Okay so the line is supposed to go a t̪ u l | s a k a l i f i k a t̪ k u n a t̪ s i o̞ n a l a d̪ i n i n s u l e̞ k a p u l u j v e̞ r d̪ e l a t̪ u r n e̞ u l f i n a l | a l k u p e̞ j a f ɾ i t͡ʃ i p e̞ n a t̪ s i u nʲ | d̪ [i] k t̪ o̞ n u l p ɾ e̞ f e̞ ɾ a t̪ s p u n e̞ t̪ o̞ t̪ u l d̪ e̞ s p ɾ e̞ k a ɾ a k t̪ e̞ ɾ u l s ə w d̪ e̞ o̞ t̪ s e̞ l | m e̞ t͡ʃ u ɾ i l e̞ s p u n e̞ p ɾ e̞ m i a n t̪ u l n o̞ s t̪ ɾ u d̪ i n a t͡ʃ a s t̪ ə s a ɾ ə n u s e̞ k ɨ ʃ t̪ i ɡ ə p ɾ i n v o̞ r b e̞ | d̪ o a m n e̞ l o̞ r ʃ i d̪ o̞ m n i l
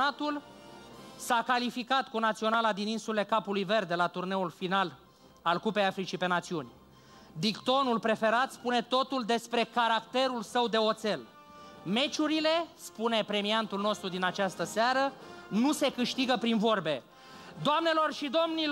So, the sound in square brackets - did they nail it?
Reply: yes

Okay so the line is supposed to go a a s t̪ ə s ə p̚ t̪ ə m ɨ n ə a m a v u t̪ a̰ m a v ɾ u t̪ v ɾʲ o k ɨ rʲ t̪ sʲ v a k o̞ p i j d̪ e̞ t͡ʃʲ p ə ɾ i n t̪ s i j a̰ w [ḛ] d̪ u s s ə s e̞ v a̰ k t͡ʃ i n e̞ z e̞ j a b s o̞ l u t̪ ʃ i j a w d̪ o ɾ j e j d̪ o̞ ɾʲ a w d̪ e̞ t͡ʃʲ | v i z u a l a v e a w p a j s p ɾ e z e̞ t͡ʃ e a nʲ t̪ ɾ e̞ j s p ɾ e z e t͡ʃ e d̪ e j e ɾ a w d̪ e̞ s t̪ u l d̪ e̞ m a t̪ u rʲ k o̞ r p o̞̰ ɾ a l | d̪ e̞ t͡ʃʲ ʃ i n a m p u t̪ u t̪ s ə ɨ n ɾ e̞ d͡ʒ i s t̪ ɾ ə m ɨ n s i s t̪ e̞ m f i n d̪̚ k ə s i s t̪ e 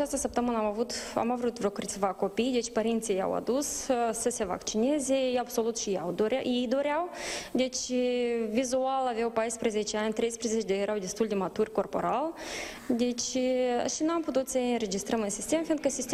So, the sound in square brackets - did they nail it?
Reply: no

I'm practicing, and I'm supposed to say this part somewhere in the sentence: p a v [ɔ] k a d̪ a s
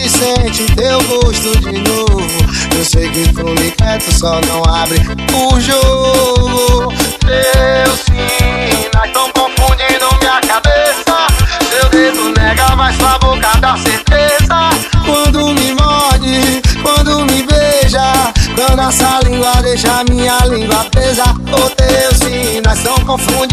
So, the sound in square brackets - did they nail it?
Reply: no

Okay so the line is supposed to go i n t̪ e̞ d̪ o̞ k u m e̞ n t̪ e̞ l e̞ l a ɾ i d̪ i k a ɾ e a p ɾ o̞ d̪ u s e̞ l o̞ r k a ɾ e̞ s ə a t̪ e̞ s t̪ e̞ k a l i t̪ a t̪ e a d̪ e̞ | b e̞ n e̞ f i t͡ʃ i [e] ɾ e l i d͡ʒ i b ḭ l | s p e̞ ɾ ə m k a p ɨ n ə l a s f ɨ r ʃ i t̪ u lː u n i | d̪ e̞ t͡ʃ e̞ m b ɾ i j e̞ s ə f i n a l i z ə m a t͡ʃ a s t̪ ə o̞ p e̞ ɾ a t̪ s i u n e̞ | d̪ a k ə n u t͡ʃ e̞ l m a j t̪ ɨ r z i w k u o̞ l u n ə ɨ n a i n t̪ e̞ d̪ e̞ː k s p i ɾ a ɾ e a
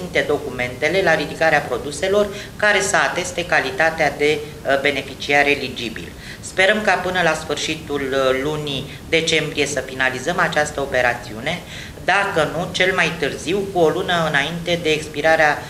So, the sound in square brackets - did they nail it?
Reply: no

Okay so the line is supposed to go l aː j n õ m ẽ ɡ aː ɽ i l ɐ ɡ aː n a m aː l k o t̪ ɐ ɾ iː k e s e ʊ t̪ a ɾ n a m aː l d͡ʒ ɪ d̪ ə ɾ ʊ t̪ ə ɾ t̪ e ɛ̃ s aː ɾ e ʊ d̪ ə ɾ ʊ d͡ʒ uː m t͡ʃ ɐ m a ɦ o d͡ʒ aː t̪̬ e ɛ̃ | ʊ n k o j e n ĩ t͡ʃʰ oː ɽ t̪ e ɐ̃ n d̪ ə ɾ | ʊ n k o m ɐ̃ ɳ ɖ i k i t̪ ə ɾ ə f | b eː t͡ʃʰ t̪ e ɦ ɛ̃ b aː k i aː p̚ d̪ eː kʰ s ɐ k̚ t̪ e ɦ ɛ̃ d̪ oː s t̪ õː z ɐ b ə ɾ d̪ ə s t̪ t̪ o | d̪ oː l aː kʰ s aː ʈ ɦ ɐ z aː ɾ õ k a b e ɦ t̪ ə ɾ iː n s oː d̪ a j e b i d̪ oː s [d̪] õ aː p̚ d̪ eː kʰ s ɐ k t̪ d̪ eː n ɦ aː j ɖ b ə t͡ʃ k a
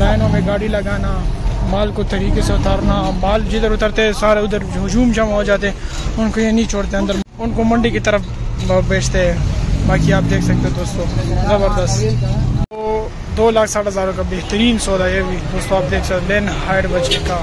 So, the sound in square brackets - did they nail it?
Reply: no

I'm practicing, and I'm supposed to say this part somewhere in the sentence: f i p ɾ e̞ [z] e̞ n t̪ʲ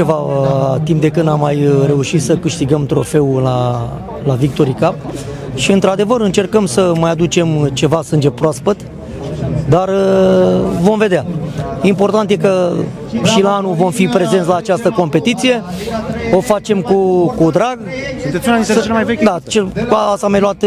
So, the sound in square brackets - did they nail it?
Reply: yes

